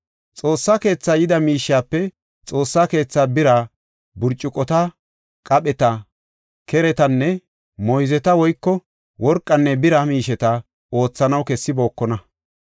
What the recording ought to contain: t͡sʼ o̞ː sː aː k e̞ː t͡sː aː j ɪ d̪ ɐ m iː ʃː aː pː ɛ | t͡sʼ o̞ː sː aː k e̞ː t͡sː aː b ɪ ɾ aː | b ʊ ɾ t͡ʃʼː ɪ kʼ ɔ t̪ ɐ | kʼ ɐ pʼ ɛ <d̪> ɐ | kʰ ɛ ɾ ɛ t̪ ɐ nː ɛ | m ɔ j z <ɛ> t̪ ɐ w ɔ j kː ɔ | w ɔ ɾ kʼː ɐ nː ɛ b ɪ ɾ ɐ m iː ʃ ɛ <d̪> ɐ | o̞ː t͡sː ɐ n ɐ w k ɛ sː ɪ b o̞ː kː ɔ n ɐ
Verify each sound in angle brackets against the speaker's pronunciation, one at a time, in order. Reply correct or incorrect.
incorrect: t̪, correct, incorrect: t̪

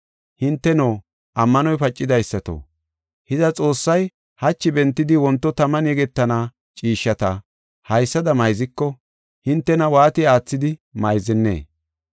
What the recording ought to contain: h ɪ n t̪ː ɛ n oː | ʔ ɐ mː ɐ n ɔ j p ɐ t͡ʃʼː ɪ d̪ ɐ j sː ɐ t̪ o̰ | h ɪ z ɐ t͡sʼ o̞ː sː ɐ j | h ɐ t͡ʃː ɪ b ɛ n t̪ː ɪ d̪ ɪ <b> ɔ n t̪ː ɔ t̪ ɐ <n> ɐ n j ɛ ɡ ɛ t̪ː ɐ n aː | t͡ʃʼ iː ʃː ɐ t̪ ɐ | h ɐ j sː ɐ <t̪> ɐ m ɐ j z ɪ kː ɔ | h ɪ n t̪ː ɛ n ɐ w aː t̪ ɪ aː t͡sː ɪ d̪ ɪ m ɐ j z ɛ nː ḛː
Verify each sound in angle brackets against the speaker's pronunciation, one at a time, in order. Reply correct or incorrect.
incorrect: w, incorrect: m, incorrect: d̪

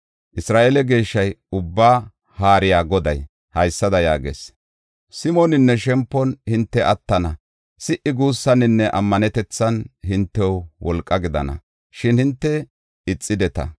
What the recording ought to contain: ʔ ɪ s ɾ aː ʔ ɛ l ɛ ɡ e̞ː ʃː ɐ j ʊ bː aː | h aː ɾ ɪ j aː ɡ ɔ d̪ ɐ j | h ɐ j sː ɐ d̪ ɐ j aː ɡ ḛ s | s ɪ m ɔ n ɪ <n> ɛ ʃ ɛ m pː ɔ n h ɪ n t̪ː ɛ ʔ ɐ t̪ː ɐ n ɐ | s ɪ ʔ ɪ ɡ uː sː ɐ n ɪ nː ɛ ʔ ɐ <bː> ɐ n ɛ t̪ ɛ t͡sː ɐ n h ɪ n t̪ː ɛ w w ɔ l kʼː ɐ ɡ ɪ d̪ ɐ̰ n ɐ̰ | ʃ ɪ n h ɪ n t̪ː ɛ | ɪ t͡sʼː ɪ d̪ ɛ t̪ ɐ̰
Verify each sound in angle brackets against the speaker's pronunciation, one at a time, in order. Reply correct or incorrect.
incorrect: nː, incorrect: mː

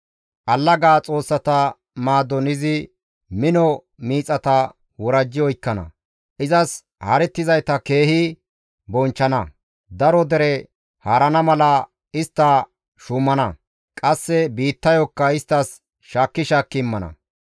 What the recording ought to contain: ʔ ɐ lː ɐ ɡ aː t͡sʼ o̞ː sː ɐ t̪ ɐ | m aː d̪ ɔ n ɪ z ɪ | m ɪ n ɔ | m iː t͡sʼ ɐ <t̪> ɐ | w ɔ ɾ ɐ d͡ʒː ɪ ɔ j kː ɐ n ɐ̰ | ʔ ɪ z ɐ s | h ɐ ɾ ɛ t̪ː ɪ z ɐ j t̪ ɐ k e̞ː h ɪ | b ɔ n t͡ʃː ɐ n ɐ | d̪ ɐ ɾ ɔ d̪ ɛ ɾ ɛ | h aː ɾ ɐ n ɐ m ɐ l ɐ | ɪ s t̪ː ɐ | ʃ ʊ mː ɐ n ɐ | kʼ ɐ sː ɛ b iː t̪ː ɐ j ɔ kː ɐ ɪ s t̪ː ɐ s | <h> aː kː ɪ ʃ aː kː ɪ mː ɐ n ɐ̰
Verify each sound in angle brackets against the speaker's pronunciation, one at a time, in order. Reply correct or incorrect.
correct, incorrect: ʃ

